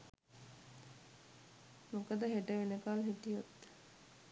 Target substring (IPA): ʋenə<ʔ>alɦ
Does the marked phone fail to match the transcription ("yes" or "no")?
yes